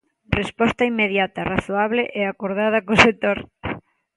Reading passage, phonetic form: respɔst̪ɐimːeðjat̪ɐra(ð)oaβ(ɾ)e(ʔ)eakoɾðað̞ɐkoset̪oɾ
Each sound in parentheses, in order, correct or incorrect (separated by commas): incorrect, incorrect, correct